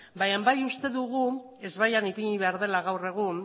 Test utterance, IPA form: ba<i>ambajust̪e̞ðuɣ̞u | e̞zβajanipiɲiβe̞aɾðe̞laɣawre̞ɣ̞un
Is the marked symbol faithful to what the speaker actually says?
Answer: no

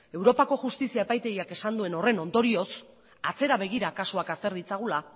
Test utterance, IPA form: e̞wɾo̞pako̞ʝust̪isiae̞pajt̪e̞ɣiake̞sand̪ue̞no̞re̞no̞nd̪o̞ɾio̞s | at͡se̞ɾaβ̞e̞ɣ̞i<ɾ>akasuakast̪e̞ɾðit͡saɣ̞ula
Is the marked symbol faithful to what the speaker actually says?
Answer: yes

